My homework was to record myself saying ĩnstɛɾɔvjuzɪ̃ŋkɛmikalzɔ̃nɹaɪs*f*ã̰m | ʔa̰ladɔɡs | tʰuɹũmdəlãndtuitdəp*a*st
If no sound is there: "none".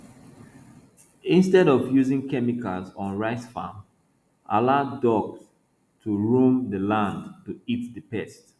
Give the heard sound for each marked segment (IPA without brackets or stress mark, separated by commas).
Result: f, ɛ